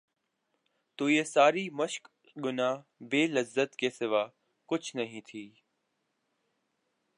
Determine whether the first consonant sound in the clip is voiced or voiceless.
voiceless